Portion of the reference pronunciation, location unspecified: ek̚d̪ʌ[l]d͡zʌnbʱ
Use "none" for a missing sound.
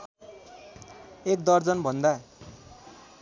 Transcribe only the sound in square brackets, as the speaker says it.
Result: r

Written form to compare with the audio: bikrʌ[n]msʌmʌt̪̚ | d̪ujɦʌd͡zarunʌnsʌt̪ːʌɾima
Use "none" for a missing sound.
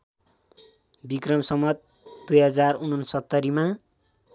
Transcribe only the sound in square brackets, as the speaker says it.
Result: none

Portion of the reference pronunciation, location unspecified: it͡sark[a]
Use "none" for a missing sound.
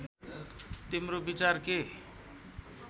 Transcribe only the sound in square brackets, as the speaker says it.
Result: e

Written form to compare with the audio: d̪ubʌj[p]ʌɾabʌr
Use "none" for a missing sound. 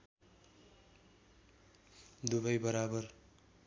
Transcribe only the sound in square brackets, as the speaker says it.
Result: b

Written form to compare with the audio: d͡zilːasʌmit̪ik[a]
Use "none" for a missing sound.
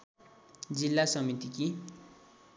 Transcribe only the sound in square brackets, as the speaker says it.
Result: i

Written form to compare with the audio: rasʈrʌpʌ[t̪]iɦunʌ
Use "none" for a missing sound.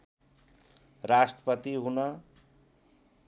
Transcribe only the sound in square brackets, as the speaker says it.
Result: t̪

